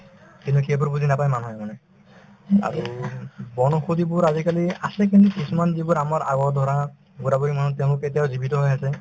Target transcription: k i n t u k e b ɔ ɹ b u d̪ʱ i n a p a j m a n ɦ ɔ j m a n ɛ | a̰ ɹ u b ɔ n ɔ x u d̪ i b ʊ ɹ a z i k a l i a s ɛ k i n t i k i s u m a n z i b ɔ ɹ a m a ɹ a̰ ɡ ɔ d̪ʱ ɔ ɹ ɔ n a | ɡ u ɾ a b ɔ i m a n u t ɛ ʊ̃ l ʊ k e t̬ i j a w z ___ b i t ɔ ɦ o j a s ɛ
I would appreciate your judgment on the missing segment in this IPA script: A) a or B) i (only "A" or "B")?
B